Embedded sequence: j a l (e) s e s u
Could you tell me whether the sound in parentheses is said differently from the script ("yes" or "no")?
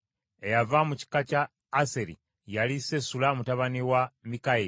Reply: yes